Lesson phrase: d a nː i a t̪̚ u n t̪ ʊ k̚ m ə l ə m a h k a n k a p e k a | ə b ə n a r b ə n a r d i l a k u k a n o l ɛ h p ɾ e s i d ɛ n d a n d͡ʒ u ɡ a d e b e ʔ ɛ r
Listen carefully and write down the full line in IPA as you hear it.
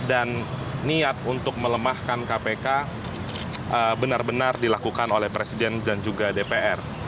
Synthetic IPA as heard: d a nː i a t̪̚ u n t̪ ʊ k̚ m ə l ə m a h k a n k a p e k a | ə b ə n a r b ə n a r d i l a k u k a n o l ɛ h p ɾ e s i d ɛ n d a n d͡ʒ u ɡ a d e p e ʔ ɛ r